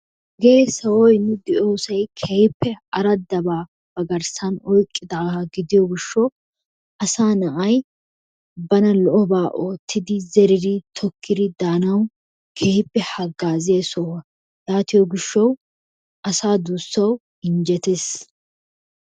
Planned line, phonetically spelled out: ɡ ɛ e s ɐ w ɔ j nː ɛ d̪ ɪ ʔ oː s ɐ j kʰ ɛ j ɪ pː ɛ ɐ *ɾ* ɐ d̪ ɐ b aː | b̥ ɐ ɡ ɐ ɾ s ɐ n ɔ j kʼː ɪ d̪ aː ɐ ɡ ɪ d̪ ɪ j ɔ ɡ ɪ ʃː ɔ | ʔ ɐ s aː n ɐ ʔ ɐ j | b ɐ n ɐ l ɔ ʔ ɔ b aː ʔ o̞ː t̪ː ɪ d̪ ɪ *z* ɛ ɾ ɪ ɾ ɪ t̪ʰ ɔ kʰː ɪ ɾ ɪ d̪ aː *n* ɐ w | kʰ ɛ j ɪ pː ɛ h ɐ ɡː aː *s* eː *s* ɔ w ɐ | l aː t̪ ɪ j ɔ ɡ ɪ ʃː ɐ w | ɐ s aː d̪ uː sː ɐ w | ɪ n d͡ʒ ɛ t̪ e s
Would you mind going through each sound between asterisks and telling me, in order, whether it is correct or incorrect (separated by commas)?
correct, correct, correct, incorrect, correct